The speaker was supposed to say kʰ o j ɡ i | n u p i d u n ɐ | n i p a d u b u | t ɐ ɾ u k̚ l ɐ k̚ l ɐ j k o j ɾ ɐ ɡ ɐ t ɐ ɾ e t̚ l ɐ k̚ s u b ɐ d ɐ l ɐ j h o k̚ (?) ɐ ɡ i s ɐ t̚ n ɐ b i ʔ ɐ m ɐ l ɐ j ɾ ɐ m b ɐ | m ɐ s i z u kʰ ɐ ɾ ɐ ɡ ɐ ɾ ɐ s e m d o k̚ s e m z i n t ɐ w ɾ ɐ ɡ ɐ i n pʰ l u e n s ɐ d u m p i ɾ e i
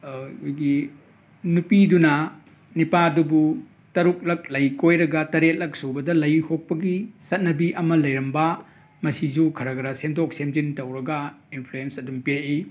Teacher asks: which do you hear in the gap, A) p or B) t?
A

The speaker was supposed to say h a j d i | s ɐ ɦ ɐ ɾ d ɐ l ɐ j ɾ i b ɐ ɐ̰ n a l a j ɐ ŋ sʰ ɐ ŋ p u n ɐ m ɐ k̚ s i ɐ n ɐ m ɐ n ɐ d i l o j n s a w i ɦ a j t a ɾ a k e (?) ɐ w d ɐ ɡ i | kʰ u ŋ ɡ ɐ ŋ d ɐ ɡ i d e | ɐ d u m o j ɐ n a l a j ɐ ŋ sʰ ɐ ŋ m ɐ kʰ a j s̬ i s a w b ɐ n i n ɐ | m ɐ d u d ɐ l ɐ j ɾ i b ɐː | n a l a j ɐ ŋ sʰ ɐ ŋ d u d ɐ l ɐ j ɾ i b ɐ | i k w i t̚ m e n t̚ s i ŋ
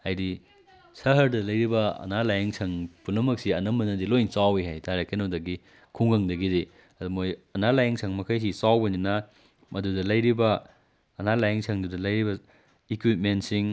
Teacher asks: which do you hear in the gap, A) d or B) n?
B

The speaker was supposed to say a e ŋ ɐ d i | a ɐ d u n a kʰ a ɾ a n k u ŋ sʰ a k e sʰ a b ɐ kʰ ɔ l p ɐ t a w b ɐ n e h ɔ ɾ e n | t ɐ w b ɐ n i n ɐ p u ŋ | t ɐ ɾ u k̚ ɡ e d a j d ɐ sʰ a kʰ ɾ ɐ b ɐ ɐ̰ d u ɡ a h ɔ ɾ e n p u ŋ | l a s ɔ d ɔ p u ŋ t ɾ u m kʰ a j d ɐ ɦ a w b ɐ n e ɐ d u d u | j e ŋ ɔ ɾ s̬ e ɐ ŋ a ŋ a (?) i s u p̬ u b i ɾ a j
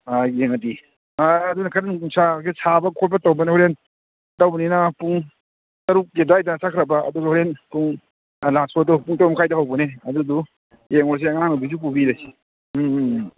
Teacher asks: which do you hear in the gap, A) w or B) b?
B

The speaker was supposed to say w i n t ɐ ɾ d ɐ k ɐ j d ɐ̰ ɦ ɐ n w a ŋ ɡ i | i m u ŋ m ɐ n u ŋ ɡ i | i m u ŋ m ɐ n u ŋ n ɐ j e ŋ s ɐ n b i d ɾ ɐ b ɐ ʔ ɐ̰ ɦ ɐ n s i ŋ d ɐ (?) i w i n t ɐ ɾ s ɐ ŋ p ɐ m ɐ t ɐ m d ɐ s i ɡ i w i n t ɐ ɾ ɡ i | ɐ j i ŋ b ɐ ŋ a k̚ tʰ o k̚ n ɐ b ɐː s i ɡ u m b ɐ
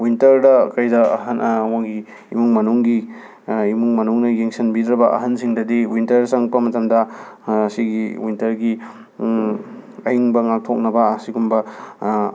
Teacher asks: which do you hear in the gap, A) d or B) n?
A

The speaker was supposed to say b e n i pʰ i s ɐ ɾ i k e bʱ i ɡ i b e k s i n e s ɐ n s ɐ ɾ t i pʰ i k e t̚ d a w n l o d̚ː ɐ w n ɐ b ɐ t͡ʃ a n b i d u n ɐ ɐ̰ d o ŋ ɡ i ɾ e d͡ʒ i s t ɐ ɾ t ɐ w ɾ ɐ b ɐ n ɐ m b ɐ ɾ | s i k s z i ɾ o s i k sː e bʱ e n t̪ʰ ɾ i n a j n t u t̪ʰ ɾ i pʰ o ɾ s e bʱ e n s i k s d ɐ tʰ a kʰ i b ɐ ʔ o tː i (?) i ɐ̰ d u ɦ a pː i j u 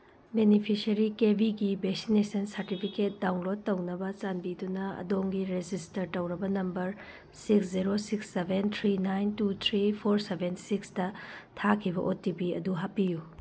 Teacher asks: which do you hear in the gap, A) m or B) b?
B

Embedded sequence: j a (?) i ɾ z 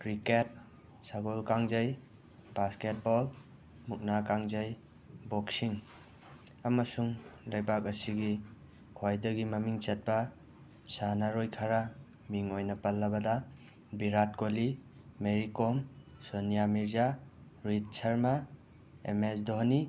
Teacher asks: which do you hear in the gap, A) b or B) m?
B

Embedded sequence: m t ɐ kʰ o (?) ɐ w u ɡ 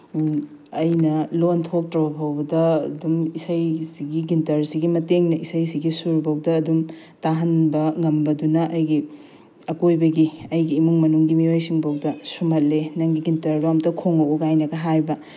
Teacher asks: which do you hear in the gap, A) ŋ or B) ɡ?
A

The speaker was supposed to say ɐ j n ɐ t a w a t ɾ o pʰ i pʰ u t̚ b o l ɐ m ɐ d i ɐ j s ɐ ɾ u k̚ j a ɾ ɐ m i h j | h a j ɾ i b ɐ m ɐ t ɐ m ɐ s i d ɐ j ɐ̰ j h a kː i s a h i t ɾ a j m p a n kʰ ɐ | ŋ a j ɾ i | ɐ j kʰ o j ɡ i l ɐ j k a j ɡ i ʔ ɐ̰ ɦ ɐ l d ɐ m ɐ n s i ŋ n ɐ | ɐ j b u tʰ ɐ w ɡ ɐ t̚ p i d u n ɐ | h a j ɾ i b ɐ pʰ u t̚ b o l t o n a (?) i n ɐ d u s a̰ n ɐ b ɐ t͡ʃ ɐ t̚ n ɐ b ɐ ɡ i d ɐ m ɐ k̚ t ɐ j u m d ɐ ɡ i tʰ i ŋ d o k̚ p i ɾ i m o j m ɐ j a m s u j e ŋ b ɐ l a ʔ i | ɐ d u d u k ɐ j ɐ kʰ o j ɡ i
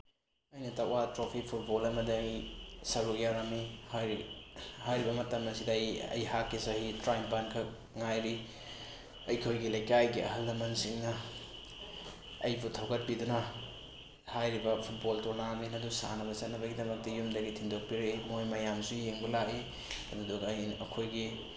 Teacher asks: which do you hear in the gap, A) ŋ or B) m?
B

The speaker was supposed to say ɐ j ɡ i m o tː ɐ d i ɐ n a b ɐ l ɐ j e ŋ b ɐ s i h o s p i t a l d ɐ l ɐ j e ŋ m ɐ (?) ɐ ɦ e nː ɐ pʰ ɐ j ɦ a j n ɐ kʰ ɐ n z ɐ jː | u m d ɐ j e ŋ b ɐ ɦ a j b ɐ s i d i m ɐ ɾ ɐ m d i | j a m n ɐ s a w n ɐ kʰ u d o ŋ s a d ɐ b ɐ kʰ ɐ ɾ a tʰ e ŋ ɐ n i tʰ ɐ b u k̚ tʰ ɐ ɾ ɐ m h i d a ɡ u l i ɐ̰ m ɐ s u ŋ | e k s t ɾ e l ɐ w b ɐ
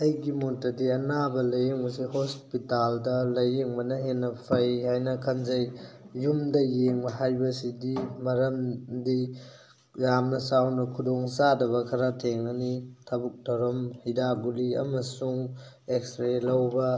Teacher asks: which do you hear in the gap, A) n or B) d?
A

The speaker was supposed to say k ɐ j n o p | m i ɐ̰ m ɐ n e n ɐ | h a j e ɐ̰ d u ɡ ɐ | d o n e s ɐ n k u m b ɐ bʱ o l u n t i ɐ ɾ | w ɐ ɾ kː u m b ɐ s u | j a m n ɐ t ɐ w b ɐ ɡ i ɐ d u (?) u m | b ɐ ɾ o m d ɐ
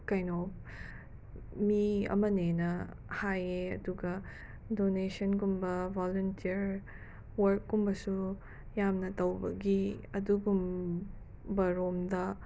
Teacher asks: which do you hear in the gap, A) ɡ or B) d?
A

